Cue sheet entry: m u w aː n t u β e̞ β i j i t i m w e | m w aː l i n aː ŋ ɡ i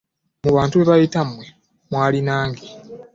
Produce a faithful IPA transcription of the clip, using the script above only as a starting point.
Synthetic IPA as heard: m u β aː n t u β e̞ β a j i t a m w e | m w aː l i n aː ŋ ɡ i